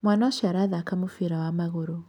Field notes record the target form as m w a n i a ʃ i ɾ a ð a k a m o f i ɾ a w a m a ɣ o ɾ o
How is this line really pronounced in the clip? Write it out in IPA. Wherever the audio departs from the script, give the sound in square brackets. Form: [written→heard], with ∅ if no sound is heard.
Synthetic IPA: m w a n [i→a] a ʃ [i→a] ɾ a ð a k a m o f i ɾ a w a m a ɣ o ɾ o